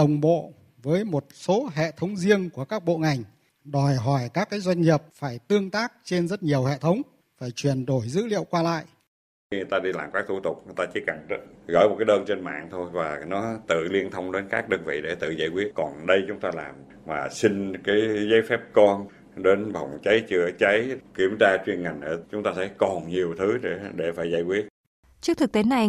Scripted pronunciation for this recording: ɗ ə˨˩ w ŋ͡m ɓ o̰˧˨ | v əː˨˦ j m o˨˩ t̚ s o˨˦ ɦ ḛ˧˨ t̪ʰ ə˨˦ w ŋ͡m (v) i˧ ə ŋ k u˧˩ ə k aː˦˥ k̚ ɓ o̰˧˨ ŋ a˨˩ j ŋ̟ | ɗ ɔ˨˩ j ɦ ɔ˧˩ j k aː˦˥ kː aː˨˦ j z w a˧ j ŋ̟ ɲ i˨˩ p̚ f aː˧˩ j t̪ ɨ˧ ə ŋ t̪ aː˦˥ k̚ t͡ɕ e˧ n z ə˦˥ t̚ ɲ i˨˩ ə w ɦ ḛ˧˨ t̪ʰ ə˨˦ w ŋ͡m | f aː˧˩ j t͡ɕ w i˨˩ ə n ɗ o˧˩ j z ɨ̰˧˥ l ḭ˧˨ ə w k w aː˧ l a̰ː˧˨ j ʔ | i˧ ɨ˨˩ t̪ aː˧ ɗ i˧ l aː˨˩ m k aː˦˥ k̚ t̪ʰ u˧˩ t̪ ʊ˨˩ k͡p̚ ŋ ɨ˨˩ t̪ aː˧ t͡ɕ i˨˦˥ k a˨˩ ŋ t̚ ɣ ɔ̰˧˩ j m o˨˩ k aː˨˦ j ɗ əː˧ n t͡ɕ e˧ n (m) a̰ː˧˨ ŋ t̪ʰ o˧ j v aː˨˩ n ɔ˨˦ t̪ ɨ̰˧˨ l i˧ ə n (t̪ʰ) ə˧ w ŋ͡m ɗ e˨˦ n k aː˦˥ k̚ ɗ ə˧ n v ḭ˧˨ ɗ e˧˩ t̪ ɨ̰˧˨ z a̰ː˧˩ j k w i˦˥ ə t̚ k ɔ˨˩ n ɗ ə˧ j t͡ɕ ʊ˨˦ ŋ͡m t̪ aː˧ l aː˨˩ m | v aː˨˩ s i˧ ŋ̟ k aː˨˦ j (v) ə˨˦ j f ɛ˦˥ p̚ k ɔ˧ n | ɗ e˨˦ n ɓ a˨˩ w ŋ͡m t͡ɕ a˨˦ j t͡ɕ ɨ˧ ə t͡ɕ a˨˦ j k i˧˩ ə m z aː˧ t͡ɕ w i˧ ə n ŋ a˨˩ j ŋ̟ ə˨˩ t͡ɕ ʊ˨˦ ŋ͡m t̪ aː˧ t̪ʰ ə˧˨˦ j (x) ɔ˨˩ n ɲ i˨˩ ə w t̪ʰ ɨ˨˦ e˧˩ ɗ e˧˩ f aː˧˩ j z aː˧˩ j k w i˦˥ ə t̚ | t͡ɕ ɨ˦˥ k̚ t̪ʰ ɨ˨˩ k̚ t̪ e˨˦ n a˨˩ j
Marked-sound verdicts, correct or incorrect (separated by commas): incorrect, correct, correct, incorrect, incorrect